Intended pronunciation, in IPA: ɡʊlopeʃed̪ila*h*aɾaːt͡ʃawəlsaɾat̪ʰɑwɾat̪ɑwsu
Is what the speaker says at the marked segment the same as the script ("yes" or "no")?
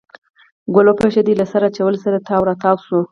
no